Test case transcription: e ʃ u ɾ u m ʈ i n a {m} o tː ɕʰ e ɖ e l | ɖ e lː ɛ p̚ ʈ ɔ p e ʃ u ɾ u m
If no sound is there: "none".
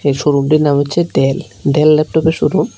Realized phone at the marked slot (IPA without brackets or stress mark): m